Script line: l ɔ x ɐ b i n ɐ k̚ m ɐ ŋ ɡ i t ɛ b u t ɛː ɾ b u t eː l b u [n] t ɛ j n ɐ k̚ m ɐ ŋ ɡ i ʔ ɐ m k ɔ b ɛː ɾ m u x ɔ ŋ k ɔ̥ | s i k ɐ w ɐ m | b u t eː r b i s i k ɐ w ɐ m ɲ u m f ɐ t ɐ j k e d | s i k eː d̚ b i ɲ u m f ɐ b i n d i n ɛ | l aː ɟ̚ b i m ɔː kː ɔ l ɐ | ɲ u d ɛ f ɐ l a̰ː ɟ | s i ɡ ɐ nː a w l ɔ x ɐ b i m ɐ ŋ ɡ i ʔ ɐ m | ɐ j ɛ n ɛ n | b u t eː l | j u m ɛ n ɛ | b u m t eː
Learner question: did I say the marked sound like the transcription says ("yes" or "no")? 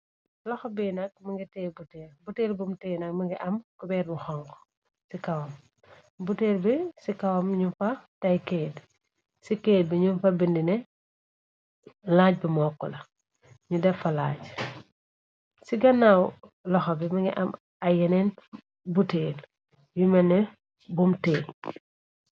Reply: no